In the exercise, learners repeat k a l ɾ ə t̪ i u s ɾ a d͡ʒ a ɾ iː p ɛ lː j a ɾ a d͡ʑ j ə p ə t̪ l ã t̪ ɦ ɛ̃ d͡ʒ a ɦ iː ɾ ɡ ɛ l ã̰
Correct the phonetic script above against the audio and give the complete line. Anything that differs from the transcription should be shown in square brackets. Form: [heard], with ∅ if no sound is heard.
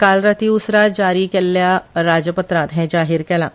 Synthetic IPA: k a l ɾ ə t̪ i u s ɾ a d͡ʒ a ɾ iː [k] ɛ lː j a ɾ a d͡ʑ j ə p ə t̪ [ɾ] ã t̪ ɦ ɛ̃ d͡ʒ a ɦ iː ɾ [k] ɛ l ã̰